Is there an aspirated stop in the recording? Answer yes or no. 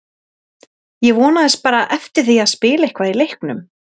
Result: no